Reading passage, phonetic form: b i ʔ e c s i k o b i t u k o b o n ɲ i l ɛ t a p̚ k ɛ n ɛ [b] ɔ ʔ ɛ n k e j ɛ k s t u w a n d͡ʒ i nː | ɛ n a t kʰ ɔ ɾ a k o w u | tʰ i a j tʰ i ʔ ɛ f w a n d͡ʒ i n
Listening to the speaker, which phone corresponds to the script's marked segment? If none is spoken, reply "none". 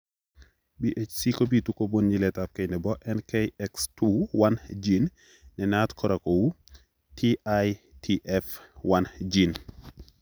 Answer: b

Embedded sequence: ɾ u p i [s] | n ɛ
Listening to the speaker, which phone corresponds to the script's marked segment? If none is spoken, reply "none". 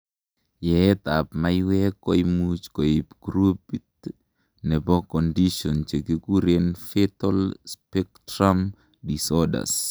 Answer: t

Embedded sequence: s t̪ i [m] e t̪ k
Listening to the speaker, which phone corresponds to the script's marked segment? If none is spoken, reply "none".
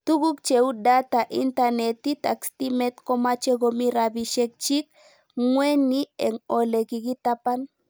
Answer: m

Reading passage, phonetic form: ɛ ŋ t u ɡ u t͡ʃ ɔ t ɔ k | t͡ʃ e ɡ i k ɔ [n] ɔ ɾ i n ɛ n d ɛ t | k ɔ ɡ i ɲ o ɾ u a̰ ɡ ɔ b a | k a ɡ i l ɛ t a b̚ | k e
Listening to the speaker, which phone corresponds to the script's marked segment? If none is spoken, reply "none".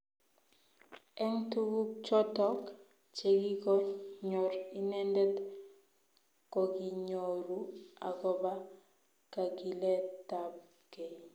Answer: ɲ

